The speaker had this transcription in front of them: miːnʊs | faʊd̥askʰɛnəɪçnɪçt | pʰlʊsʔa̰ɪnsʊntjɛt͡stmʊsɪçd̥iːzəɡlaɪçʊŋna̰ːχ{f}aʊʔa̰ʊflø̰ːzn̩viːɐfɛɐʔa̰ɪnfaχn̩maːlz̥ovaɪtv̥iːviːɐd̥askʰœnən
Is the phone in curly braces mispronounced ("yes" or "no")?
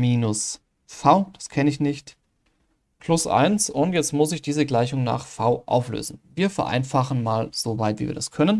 no